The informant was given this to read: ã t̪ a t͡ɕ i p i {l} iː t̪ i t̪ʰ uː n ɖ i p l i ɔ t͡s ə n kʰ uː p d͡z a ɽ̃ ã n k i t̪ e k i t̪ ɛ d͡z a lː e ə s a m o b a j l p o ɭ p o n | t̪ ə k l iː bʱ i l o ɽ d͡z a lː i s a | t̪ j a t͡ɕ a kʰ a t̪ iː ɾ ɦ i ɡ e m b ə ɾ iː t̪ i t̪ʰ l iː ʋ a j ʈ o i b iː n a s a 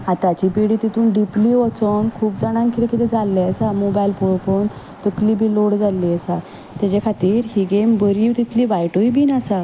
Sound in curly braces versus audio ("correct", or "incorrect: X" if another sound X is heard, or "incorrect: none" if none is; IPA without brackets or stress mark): incorrect: ɽ